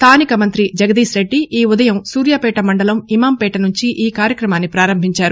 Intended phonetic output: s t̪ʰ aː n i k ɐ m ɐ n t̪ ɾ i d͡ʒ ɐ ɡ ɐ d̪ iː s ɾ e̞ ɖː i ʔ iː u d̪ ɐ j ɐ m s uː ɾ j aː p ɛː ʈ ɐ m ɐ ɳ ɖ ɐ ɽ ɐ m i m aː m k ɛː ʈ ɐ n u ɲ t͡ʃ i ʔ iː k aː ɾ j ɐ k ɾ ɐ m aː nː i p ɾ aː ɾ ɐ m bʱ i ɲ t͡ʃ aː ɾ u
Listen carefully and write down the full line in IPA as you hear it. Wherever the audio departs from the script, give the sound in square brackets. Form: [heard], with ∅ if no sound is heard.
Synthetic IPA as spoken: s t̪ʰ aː n i k ɐ m ɐ n t̪ ɾ i d͡ʒ ɐ ɡ ɐ d̪ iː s ɾ e̞ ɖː i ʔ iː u d̪ ɐ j ɐ m s uː ɾ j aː p ɛː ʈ ɐ m ɐ ɳ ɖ ɐ [l] ɐ m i m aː m [p] ɛː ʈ ɐ n u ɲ t͡ʃ i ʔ iː k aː ɾ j ɐ k ɾ ɐ m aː nː i p ɾ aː ɾ ɐ m bʱ i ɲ t͡ʃ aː ɾ u